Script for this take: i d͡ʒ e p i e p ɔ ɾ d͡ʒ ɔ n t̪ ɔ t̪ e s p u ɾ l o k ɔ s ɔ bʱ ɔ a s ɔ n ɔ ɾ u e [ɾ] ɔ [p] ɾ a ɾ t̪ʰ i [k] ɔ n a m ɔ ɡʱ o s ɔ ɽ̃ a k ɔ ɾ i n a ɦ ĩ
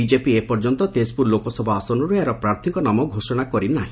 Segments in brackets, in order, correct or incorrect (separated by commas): correct, correct, correct